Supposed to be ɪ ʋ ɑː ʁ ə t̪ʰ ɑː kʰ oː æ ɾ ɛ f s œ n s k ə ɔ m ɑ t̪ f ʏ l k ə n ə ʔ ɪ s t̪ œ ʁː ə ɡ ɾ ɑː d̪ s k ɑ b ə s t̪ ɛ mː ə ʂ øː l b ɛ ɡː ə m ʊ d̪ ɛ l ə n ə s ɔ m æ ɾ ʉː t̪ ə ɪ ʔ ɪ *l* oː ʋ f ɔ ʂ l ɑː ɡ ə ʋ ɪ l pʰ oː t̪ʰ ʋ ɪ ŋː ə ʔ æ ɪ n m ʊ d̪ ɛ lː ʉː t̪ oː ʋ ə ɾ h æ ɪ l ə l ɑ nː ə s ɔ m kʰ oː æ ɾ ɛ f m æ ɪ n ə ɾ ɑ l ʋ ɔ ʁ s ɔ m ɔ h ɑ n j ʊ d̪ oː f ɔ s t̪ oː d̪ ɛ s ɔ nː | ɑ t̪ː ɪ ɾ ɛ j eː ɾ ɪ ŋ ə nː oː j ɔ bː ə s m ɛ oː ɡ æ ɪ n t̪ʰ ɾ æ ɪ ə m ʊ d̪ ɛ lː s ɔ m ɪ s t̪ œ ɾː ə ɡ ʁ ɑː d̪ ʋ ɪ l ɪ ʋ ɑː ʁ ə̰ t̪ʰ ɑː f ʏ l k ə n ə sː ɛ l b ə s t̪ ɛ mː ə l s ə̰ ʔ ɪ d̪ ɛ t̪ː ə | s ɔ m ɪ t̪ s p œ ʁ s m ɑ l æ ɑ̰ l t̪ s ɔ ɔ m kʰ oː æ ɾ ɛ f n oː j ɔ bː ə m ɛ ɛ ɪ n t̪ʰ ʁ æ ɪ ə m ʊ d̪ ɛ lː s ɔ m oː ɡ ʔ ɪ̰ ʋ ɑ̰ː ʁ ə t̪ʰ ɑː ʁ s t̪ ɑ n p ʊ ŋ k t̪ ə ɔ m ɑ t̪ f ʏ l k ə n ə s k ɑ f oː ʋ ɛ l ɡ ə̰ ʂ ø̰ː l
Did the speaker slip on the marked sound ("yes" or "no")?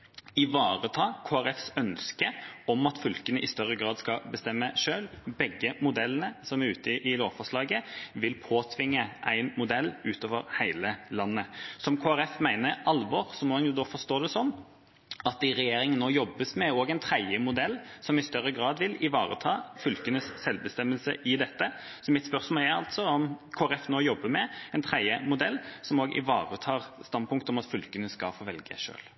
no